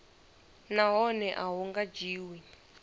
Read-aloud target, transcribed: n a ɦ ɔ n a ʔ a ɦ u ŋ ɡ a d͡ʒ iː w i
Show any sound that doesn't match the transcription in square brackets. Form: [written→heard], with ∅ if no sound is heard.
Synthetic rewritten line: n a ɦ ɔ n [a→ɛ] ʔ a ɦ u ŋ ɡ a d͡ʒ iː w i